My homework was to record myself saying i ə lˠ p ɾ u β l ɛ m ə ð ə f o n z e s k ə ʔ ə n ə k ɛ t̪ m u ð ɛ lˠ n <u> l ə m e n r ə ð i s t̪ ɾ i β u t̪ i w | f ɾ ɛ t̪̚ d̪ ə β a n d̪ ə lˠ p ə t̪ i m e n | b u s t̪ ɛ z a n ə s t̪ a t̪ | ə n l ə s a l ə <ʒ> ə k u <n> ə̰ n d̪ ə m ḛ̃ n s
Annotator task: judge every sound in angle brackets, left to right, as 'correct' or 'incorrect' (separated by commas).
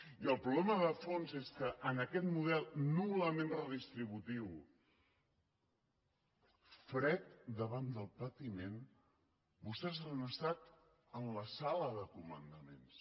correct, incorrect, incorrect